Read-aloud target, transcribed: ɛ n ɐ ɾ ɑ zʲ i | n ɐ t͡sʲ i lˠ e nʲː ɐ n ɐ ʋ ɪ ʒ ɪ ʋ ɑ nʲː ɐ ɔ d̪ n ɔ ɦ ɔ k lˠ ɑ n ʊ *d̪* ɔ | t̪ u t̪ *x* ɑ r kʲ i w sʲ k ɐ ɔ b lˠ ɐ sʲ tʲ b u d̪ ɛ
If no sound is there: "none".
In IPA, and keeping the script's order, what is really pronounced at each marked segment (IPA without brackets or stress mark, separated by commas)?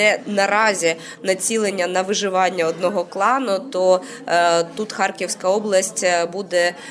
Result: t̪, x